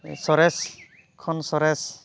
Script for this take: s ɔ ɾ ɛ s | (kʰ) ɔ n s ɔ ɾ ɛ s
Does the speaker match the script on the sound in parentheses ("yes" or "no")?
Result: yes